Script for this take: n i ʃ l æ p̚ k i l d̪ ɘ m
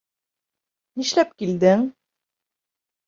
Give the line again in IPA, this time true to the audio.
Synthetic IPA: n i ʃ l æ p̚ k i l d̪ ɘ ŋ